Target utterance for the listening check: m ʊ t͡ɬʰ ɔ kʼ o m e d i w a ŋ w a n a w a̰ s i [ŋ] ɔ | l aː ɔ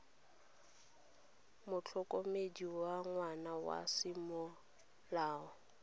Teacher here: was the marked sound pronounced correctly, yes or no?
no